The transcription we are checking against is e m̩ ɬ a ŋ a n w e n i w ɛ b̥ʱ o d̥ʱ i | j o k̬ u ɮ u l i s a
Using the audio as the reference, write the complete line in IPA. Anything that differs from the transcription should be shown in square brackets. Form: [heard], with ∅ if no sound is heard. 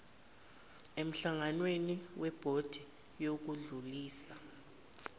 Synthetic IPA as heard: e m̩ ɬ a ŋ a n w e n i w ɛ b̥ʱ o d̥ʱ i | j o k̬ u ɮ u l [iː] s a

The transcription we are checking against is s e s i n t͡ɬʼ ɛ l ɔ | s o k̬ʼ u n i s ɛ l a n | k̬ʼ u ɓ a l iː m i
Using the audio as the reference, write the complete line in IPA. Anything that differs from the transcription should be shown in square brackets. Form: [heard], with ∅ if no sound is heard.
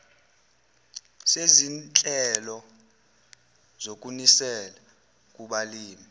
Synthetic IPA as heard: s e [z] i n t͡ɬʼ ɛ l ɔ | [z] o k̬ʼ u n i s ɛ l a [∅] | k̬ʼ u ɓ a l iː m i

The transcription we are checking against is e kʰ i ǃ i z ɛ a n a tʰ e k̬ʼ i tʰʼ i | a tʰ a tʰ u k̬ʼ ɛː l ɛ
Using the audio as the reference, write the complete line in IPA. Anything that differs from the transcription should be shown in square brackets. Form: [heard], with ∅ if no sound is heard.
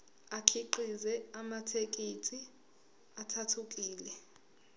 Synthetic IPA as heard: [a] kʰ i ǃ i z ɛ a [m] a tʰ e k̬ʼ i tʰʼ i | a tʰ a tʰ u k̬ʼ [iː] l ɛ

